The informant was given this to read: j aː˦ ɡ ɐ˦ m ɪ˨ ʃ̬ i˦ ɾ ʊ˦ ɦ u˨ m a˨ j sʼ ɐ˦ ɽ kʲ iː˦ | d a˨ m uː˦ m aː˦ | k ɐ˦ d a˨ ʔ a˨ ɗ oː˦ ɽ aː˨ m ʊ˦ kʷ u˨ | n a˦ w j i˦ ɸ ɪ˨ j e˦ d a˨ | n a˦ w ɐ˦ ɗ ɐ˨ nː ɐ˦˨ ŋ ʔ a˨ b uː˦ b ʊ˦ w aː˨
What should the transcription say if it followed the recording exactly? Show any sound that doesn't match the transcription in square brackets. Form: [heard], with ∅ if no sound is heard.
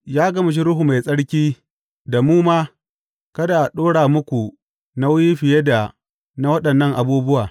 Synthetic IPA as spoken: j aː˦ ɡ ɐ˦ m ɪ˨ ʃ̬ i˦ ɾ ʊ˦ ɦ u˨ m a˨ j sʼ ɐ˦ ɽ kʲ iː˦ | d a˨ m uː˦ m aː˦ | k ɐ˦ d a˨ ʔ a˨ ɗ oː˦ ɽ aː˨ m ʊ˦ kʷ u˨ | n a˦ w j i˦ ɸ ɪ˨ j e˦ d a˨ | n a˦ w ɐ˦ ɗ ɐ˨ nː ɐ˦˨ ŋ ʔ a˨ b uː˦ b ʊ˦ w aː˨